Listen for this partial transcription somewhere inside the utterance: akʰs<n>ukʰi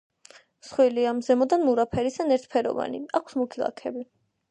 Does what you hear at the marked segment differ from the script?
yes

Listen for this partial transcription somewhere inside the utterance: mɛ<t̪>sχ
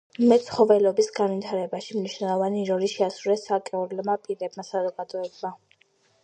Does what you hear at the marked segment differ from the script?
no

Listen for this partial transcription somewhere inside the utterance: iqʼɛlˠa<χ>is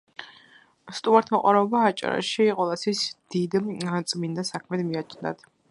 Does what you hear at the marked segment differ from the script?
yes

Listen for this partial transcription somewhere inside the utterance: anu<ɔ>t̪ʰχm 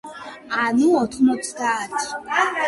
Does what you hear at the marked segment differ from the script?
no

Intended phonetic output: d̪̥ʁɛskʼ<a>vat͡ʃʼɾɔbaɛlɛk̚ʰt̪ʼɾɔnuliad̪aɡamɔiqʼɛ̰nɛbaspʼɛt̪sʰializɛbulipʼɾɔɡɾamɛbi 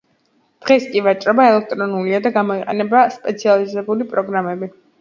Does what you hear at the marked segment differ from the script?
yes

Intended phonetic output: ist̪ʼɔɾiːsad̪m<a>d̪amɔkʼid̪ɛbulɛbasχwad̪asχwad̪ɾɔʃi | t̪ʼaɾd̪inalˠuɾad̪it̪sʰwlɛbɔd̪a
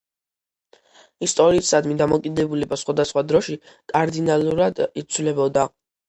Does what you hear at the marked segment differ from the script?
yes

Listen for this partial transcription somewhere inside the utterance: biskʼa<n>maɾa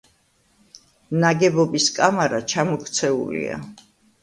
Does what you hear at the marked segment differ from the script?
yes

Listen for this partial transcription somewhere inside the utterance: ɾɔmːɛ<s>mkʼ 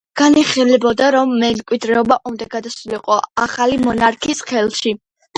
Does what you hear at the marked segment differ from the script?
yes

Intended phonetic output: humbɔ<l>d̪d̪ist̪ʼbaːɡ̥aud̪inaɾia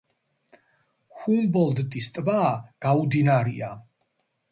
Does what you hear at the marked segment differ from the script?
no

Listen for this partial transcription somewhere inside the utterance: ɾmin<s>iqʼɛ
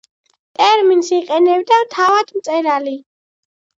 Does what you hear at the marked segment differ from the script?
no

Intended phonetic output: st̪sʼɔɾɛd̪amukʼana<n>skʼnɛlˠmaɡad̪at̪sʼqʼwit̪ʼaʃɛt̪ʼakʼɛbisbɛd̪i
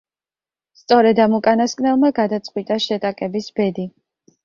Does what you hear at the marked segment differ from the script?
yes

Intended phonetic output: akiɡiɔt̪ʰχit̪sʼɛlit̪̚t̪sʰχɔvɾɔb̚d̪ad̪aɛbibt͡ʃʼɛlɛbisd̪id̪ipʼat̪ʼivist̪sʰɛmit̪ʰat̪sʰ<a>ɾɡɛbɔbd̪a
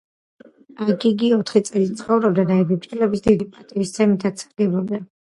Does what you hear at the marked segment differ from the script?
no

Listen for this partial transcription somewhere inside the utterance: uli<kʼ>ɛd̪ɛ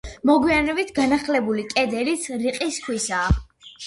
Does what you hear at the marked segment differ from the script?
no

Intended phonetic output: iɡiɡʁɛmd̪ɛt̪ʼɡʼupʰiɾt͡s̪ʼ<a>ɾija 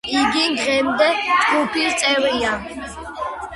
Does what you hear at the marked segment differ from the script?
yes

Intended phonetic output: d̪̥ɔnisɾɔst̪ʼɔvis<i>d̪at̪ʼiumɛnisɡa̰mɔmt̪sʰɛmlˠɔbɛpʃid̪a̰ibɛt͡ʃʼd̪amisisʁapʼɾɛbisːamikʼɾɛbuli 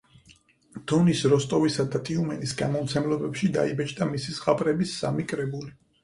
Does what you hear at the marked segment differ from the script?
yes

